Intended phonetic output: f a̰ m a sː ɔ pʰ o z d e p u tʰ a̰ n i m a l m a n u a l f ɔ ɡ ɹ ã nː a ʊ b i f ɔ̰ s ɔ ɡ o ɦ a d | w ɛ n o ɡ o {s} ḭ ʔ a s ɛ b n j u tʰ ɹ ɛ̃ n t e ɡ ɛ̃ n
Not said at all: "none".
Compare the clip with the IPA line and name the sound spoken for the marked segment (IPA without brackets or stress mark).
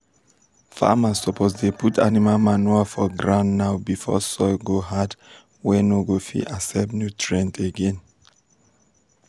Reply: f